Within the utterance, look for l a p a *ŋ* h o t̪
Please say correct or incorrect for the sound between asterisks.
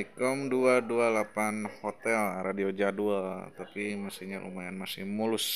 incorrect